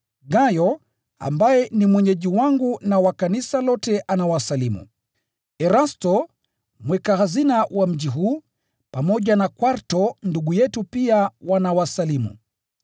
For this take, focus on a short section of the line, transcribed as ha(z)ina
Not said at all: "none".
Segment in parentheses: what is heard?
z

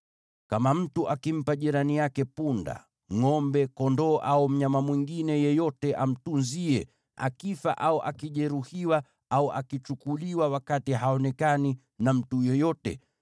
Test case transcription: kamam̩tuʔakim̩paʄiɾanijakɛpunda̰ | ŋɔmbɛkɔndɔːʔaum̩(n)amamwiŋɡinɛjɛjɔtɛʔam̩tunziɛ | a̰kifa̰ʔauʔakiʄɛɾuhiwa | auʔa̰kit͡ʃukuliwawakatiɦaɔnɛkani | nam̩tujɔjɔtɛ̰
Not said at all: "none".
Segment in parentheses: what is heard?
ɲ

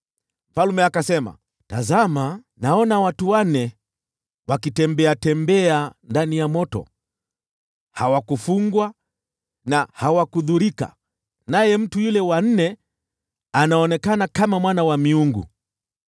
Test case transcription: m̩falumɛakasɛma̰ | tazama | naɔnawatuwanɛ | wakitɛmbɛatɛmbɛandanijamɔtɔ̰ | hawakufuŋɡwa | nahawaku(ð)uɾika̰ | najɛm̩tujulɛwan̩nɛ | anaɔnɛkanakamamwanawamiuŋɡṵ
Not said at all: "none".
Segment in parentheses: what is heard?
ð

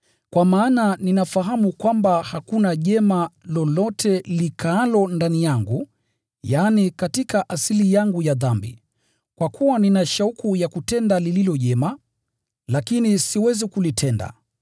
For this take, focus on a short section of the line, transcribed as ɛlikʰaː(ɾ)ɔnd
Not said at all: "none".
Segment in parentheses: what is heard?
l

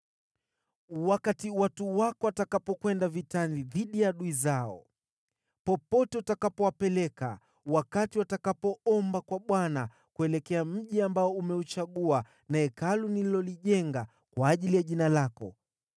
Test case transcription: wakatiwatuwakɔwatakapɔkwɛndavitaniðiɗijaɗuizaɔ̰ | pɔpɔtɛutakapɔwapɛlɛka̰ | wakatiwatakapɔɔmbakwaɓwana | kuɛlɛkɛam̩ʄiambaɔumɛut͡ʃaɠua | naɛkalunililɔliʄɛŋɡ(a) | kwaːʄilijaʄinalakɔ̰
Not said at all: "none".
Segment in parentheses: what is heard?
a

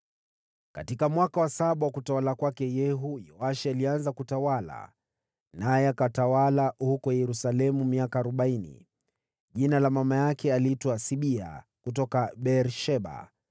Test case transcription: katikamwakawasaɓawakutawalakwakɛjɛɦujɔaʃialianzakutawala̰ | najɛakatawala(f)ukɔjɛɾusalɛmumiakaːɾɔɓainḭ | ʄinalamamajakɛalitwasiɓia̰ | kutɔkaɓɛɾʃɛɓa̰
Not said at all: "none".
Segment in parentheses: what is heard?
h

